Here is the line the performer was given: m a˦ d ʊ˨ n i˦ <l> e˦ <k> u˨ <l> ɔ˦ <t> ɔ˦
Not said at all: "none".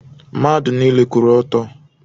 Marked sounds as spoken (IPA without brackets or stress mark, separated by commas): l, k, ɾ, t